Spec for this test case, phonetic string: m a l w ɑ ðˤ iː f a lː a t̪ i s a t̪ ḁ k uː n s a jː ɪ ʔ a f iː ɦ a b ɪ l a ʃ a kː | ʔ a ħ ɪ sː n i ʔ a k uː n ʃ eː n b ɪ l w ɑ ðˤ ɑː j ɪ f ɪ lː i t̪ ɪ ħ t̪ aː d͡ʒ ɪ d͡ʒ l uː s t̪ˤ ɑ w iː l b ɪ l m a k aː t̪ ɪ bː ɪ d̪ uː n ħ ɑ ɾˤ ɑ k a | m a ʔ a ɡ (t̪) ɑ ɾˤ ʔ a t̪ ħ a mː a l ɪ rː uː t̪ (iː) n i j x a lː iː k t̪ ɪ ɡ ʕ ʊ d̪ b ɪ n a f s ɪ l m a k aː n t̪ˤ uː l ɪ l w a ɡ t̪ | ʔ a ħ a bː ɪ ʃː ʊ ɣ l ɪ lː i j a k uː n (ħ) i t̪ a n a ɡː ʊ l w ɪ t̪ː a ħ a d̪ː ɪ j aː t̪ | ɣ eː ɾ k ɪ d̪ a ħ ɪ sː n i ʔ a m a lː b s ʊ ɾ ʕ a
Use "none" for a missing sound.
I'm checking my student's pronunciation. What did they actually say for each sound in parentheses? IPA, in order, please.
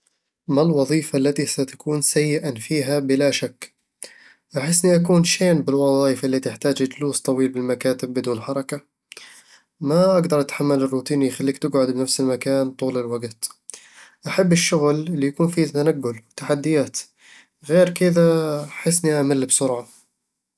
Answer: d̪, iː, f

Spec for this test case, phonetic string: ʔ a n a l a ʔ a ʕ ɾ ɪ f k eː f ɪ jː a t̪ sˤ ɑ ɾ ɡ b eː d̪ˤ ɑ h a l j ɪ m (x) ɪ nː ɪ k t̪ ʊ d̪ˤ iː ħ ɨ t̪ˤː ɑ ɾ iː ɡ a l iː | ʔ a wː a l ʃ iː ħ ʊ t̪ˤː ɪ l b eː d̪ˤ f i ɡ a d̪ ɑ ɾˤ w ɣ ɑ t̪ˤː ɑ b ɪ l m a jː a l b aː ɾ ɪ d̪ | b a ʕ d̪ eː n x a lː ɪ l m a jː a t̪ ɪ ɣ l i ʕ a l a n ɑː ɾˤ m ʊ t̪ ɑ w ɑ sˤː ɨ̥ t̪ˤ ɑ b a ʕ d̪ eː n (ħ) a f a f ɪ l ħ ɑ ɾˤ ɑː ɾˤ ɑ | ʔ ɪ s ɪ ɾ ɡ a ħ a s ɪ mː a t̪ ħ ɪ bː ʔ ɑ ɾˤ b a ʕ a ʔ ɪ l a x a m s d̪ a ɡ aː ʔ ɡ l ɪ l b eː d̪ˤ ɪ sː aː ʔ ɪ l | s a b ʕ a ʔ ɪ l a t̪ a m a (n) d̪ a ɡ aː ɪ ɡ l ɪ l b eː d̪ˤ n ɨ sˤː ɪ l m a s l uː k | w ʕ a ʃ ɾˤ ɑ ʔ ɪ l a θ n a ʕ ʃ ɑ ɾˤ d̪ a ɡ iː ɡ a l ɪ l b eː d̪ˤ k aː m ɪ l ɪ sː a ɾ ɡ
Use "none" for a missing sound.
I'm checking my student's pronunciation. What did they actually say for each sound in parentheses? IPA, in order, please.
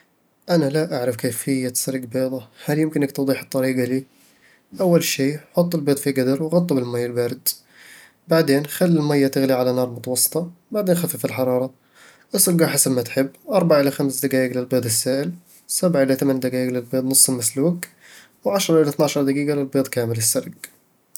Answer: k, x, n

